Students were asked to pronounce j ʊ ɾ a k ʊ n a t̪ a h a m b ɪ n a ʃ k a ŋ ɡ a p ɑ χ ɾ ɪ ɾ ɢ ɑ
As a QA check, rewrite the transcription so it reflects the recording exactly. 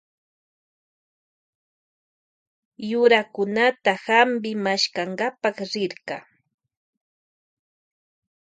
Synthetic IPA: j ʊ ɾ a k ʊ n a t̪ a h a m b ɪ m a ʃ k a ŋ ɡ a p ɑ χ ɾ ɪ ɾ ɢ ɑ